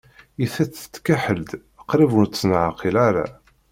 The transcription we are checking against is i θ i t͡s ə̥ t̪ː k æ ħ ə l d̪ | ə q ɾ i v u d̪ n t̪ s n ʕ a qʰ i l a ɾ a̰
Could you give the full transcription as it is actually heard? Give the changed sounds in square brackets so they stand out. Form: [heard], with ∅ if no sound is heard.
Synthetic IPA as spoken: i θ [æ] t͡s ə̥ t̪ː k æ ħ ə l d̪ | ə q ɾ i v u [∅] n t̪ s n ʕ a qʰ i l a ɾ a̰